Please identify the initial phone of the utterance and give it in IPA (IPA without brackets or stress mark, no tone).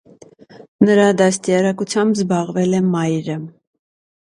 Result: n